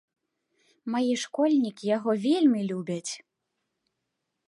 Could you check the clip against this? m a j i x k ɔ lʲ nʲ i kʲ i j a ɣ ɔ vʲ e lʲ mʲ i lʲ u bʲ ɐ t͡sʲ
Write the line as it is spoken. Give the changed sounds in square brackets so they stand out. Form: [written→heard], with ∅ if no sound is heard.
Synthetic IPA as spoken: m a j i [x→ʂ] k ɔ lʲ nʲ i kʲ i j a ɣ ɔ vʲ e lʲ mʲ i lʲ u bʲ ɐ t͡sʲ